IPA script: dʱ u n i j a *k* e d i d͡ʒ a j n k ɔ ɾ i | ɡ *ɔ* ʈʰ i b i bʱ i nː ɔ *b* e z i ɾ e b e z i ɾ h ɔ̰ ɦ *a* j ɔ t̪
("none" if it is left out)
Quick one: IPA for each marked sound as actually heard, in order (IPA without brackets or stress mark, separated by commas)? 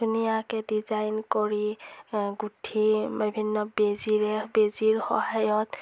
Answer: k, u, b, a